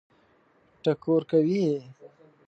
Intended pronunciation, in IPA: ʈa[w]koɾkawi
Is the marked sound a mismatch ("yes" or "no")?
yes